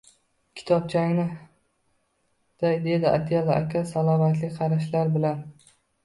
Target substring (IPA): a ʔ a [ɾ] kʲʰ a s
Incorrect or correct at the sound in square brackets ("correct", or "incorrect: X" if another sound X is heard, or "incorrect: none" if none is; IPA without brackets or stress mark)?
incorrect: none